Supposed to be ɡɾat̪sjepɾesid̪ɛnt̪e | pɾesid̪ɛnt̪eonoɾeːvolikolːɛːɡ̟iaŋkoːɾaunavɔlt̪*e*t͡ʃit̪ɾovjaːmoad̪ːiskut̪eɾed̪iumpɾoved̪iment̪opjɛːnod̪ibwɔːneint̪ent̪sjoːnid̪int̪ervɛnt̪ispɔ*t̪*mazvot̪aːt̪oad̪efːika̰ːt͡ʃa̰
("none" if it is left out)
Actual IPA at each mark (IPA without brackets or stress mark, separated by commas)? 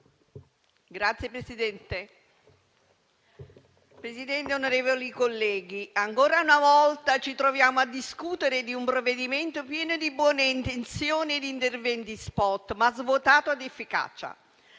a, t̪